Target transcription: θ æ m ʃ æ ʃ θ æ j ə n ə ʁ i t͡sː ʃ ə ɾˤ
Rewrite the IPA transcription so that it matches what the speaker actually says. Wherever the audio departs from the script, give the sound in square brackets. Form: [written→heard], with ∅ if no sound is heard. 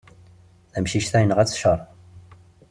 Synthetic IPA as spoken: θ æ m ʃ [æ→i] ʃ θ æ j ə n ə ʁ [i→æ] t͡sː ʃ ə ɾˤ